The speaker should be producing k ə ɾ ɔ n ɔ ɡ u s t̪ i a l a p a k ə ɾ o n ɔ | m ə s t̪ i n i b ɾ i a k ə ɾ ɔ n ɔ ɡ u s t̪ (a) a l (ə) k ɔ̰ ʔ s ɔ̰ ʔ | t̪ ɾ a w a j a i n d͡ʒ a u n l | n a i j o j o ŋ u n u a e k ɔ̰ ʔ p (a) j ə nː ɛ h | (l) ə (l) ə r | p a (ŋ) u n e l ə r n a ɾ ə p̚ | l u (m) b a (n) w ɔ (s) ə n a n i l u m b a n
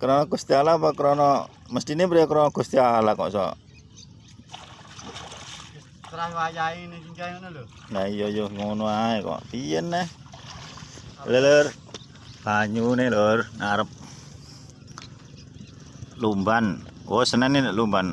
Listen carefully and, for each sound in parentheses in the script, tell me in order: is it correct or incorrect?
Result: incorrect, incorrect, incorrect, correct, correct, incorrect, correct, correct, correct

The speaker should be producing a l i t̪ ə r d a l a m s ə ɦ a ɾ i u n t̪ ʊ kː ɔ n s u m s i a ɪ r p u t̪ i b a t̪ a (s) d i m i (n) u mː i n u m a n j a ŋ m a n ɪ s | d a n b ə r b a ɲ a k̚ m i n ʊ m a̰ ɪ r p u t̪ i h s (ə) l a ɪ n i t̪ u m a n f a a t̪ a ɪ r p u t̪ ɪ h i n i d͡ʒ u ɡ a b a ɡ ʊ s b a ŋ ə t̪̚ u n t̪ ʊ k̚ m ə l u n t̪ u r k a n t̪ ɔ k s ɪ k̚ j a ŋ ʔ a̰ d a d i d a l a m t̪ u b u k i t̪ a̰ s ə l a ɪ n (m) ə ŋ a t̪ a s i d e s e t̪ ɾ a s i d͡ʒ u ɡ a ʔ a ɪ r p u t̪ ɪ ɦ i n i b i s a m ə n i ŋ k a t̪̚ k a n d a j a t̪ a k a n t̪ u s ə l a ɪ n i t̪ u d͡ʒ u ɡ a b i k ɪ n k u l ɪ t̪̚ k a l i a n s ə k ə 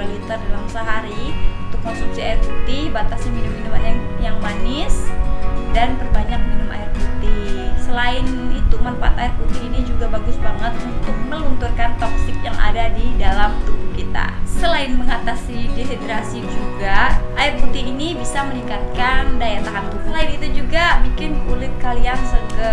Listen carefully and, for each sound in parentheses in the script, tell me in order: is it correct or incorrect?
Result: correct, correct, correct, correct

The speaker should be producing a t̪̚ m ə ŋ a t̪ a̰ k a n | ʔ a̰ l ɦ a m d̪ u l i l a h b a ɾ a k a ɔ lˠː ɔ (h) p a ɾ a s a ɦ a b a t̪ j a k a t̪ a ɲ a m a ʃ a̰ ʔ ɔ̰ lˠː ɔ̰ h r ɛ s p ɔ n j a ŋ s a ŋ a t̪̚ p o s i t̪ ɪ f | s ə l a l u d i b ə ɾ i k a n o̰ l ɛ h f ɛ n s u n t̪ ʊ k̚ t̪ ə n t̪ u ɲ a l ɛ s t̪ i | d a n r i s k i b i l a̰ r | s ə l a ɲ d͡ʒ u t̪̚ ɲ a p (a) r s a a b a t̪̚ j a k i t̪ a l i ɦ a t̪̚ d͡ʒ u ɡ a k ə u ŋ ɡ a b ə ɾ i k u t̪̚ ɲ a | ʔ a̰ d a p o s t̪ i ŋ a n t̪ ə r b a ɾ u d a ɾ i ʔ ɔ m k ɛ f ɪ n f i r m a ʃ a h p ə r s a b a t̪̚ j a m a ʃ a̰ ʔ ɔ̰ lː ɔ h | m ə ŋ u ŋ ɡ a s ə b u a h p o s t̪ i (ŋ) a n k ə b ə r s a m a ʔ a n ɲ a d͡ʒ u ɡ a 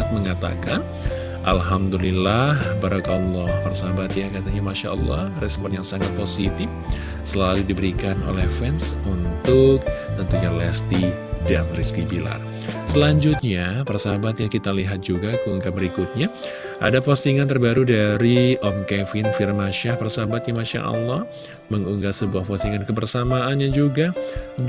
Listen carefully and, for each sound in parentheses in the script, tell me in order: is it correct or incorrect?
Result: correct, incorrect, correct

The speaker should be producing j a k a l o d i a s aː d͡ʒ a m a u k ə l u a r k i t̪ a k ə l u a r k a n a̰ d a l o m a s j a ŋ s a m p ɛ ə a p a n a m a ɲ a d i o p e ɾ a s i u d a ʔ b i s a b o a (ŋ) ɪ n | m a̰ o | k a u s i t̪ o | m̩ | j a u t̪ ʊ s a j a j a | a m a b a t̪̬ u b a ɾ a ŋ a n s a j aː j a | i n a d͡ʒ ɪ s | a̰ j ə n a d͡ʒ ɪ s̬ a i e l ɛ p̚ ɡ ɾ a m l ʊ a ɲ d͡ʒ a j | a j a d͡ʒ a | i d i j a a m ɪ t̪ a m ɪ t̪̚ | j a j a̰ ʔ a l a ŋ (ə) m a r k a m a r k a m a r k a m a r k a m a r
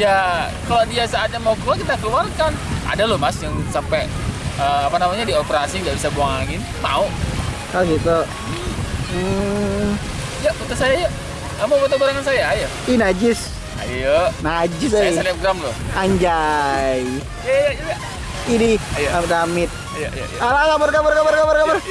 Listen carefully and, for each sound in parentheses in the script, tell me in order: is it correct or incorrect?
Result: correct, incorrect

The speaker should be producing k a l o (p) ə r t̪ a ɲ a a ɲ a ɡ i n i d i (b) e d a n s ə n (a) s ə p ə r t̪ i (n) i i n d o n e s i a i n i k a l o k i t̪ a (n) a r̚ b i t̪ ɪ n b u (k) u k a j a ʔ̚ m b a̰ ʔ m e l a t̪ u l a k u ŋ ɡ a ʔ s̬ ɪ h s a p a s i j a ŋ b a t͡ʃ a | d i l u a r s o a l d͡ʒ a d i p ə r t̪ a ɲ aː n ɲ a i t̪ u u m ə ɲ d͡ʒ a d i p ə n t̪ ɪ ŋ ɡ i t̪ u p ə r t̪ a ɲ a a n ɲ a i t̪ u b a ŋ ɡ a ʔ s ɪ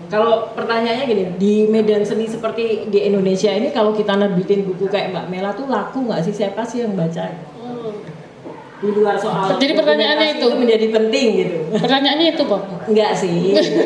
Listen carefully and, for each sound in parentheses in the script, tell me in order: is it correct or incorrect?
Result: correct, incorrect, incorrect, incorrect, correct, correct

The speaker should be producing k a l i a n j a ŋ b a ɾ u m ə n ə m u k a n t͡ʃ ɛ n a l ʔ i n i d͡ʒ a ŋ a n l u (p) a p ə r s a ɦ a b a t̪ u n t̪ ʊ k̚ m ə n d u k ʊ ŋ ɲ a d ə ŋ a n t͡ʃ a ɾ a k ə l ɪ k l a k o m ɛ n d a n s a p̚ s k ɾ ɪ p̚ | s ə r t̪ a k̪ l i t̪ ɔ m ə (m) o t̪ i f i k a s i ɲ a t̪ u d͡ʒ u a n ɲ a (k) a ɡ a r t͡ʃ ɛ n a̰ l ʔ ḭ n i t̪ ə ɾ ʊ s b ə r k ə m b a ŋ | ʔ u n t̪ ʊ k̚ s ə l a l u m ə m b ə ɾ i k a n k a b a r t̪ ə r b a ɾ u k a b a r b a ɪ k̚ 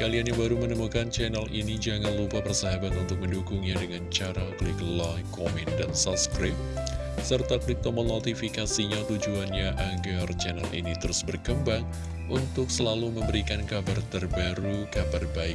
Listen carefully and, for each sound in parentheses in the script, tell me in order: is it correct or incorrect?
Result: correct, incorrect, incorrect

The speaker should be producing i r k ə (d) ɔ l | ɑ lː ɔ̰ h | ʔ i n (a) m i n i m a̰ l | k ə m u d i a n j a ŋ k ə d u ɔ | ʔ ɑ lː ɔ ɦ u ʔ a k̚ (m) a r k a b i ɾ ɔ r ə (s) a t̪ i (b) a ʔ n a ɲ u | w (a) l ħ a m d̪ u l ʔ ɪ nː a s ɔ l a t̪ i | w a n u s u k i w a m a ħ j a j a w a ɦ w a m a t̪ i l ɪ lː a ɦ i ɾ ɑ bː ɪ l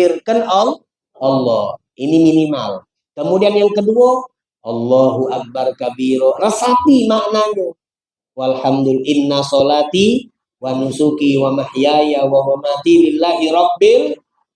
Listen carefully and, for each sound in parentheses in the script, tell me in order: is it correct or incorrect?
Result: incorrect, incorrect, incorrect, correct, incorrect, correct

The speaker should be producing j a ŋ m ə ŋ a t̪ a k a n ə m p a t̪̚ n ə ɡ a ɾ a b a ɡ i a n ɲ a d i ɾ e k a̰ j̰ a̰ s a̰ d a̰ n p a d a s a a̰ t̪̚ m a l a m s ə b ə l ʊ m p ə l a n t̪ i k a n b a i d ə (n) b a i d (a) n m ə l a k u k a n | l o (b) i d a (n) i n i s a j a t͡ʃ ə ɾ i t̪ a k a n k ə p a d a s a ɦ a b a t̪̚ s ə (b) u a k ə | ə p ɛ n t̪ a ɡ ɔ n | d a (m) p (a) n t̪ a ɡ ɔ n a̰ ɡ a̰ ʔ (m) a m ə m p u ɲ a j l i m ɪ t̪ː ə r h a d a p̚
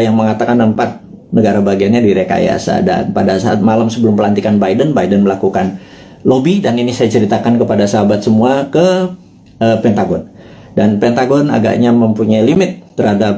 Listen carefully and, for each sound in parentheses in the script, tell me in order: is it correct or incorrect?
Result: correct, incorrect, correct, correct, incorrect, incorrect, incorrect, incorrect

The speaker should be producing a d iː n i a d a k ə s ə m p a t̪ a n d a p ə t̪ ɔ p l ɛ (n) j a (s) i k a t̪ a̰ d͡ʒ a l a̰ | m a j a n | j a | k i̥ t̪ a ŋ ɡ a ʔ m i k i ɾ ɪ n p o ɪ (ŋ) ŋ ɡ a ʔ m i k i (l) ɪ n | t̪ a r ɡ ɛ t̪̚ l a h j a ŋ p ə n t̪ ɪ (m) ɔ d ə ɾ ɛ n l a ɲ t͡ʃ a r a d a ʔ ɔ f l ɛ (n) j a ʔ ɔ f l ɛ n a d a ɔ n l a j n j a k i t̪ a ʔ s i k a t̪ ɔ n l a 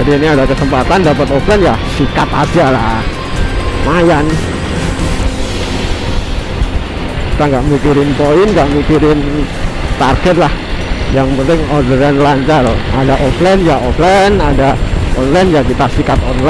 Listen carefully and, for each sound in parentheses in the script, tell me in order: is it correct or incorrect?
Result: correct, correct, incorrect, incorrect, incorrect, correct

